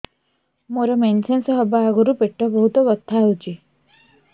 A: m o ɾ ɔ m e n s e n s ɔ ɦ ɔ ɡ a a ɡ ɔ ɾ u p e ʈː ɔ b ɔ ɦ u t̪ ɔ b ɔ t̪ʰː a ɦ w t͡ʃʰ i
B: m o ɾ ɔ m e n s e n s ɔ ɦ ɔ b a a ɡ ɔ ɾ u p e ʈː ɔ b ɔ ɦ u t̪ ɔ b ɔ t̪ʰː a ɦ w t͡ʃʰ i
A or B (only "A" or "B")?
B